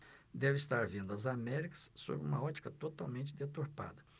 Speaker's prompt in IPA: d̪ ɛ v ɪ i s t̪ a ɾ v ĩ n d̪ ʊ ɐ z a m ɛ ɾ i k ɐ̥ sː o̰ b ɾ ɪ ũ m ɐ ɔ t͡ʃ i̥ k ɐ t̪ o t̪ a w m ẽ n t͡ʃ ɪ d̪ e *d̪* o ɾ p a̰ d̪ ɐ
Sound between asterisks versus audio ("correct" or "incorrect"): incorrect